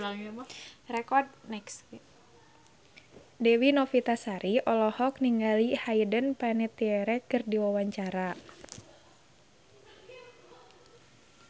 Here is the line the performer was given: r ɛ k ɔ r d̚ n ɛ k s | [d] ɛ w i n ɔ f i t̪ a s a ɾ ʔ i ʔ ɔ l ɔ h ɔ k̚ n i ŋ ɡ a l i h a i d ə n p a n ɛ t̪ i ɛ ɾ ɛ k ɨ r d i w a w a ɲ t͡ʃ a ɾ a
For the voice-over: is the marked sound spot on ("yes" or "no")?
yes